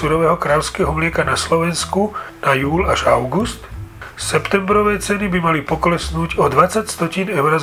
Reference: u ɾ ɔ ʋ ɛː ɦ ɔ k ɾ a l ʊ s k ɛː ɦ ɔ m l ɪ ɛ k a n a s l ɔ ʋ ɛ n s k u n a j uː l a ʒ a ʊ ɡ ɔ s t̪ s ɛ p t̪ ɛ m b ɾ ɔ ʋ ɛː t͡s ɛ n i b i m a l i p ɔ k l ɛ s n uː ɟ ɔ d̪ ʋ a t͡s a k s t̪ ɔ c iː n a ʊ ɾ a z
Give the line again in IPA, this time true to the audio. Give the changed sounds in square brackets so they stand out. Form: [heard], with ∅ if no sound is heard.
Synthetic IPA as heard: u ɾ ɔ ʋ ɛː ɦ ɔ k ɾ a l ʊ s k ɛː ɦ ɔ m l ɪ ɛ k a n a s l ɔ ʋ ɛ n s k u n a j uː l a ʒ a ʊ ɡ [u] s t̪ s ɛ p t̪ ɛ m b ɾ ɔ ʋ ɛː t͡s ɛ n i b i m a l i p ɔ k l ɛ s n uː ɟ ɔ d̪ ʋ a t͡s a [c] s t̪ ɔ c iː n [ɛ] ʊ ɾ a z